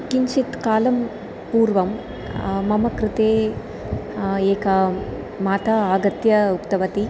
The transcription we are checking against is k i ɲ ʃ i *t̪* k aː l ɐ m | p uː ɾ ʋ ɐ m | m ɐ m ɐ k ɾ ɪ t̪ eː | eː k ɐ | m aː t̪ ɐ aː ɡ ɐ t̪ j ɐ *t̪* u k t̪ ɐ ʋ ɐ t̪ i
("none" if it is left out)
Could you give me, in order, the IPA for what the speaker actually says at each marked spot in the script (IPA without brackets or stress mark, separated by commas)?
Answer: t̪, none